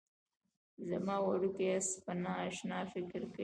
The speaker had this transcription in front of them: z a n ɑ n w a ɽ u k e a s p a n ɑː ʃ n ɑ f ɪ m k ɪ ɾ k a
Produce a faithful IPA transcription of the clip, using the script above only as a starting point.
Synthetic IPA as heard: z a m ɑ w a ɽ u k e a s p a n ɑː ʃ n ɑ f ɪ k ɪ ɾ k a